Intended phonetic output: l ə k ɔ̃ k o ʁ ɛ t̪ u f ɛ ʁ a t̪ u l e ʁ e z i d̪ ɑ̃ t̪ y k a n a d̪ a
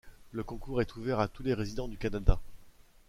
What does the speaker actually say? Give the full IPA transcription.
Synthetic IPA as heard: l ə k ɔ̃ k u ʁ ɛ t̪ u v ɛ ʁ a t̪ u l e ʁ e z i d̪ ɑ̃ d̪ y k a n a d̪ a